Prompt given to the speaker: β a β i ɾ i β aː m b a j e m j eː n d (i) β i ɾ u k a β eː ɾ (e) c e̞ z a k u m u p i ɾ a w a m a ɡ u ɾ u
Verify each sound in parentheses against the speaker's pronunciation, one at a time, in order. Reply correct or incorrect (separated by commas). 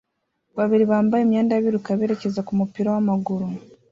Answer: incorrect, correct